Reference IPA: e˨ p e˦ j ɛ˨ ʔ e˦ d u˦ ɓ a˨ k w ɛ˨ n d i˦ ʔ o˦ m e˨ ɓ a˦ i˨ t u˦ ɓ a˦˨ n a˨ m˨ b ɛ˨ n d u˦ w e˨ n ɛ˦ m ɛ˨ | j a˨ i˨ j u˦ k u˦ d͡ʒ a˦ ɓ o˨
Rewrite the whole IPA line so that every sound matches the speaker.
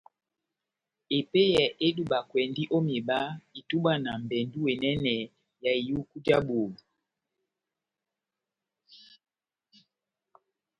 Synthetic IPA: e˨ p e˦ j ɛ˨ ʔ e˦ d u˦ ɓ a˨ k w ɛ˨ n d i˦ ʔ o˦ m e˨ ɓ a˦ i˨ t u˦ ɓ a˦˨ n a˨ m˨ b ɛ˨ n d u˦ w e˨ n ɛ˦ n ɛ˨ | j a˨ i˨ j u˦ k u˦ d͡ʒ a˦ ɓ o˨